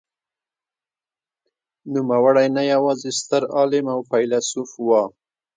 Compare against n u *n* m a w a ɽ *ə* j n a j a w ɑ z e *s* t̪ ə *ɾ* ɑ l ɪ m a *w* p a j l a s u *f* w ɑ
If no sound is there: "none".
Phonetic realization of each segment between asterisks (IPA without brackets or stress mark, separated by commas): none, a, s, ɾ, w, f